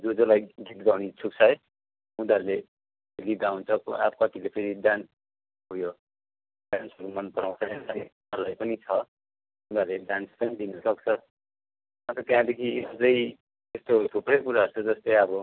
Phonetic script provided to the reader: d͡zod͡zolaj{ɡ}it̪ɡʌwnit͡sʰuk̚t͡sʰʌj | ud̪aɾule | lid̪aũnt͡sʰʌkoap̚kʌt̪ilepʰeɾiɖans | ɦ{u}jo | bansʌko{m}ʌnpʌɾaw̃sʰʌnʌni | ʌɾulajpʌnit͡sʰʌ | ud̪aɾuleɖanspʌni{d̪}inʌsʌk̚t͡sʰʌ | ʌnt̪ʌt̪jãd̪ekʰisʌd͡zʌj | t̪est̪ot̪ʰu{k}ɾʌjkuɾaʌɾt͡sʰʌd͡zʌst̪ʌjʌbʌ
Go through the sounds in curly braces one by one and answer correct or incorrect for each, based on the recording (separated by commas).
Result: correct, correct, correct, correct, incorrect